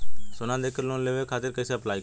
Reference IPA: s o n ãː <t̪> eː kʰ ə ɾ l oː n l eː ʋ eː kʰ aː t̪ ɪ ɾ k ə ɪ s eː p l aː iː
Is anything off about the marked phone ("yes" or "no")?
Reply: yes